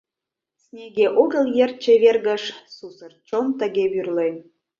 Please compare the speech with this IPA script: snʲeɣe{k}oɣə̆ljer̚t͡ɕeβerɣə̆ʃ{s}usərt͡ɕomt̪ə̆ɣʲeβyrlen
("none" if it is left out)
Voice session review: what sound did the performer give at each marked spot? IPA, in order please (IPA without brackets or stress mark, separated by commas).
ʔ, s